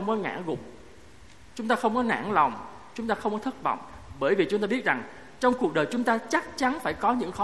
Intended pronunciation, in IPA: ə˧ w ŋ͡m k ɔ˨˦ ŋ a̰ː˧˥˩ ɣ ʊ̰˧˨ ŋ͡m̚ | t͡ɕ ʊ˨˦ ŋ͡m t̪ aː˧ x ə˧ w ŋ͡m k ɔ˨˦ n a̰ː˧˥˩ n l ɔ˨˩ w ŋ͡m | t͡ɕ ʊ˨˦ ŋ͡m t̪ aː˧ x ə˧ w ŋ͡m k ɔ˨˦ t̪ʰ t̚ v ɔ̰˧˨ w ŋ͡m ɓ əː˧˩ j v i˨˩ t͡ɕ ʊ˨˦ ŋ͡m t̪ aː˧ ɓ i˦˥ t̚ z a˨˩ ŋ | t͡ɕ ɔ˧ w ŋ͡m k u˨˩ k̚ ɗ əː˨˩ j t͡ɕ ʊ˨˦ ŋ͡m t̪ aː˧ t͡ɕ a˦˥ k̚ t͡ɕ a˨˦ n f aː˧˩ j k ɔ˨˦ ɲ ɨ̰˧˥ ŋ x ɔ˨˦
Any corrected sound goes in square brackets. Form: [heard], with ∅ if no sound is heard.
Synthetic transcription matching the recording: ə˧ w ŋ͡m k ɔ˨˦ ŋ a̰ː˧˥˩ ɣ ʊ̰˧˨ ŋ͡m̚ | t͡ɕ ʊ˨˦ ŋ͡m t̪ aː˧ x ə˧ w ŋ͡m k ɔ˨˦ n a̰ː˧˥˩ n l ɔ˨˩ w ŋ͡m | t͡ɕ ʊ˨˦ ŋ͡m t̪ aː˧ x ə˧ w ŋ͡m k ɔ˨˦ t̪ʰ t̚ v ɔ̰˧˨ w ŋ͡m ɓ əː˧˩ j v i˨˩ t͡ɕ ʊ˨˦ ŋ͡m t̪ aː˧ ɓ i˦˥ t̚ z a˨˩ ŋ | t͡ɕ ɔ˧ w ŋ͡m k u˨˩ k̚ ɗ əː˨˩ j t͡ɕ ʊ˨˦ ŋ͡m t̪ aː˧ t͡ɕ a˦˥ k̚ t͡ɕ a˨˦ n f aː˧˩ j k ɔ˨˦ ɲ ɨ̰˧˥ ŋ x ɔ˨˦